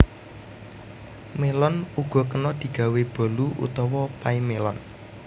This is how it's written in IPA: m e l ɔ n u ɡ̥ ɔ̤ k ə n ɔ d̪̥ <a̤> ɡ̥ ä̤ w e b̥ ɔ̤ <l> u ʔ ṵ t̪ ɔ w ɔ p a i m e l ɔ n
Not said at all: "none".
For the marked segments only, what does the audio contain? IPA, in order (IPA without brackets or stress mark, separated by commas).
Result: i̤, l